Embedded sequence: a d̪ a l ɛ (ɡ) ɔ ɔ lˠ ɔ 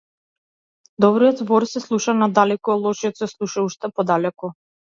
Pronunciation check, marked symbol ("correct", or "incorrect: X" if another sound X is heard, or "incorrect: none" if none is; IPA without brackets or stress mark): incorrect: k